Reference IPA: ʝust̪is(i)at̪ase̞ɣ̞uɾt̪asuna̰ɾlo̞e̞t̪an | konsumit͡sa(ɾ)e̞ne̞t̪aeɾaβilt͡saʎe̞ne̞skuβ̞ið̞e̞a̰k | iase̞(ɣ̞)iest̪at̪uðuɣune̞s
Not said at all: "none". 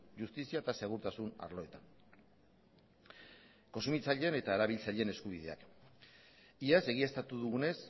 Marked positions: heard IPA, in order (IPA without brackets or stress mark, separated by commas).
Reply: i, ʎ, ɣ̞